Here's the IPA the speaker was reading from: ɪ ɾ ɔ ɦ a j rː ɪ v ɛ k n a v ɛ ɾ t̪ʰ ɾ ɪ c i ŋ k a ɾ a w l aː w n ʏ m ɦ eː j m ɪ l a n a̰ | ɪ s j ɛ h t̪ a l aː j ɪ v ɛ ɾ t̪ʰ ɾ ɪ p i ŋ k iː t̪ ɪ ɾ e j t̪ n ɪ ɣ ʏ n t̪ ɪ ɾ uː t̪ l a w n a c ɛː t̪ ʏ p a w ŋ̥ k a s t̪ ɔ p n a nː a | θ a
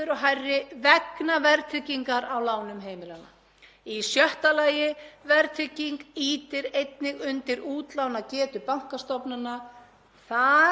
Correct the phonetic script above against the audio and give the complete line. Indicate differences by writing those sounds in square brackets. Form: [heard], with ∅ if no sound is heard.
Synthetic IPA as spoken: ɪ ɾ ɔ ɦ a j rː ɪ v ɛ k n a v ɛ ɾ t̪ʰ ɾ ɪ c i ŋ k a ɾ a w l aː w n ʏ m ɦ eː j m ɪ l a n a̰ | [i] s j [œ] h t̪ a l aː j ɪ v ɛ ɾ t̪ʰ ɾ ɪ [c] i ŋ k iː t̪ ɪ ɾ e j t̪ n ɪ ɣ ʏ n t̪ ɪ ɾ uː t̪ l a w n a c ɛː t̪ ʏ p a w ŋ̥ k a s t̪ ɔ p n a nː a | θ a